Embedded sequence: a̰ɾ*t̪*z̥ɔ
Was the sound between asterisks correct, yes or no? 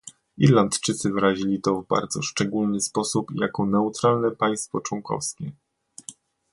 no